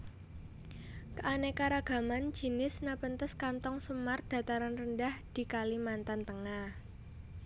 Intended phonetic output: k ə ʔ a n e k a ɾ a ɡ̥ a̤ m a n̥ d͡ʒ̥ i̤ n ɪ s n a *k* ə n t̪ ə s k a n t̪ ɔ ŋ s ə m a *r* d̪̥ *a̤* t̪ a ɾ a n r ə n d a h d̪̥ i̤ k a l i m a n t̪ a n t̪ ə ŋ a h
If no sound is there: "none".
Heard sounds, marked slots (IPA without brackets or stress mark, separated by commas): p, r, a̤